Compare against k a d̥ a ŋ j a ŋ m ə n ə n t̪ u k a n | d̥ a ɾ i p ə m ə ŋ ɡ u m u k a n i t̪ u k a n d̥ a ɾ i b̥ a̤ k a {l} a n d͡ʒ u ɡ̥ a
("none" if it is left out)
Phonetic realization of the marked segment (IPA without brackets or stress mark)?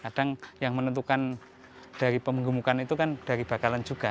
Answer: l